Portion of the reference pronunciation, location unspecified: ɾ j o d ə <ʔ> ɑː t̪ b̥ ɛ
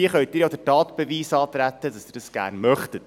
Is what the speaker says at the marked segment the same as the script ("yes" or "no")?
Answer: no